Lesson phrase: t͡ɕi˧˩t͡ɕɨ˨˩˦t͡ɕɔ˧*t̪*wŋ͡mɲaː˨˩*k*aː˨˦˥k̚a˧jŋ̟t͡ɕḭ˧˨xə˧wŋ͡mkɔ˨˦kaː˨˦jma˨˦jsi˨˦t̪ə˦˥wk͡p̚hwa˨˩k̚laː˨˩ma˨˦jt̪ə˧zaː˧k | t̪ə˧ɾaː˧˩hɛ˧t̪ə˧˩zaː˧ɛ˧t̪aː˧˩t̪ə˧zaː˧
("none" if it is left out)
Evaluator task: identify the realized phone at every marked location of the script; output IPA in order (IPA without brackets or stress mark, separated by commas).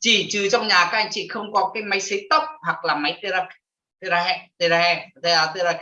none, k